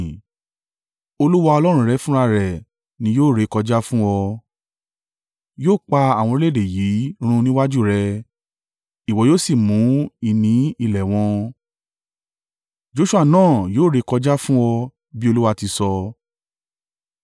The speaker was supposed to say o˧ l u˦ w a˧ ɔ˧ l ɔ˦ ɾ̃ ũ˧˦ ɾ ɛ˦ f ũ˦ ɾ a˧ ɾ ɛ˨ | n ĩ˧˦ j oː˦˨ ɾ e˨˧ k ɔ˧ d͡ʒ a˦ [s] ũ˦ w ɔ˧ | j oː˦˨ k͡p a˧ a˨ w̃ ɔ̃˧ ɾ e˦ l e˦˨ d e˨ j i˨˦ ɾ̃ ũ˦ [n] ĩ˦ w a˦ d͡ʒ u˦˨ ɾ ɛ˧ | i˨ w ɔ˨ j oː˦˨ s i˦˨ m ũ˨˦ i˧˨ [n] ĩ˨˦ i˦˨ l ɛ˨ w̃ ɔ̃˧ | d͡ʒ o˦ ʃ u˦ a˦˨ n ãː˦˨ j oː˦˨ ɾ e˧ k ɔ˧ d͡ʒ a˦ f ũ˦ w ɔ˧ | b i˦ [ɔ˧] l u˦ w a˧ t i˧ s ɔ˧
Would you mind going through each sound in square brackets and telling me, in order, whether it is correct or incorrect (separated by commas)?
incorrect, correct, correct, incorrect